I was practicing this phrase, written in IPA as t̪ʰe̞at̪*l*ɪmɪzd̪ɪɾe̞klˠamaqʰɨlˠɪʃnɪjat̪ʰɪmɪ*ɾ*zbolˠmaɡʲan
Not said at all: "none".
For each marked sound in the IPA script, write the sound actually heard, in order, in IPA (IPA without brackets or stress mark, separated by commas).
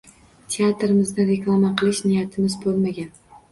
ɾ, none